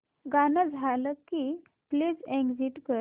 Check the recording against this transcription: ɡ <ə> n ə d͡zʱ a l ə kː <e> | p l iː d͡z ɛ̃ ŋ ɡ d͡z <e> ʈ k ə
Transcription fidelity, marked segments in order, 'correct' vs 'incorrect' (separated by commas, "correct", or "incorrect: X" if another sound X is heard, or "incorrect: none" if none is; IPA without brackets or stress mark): incorrect: a, incorrect: i, incorrect: i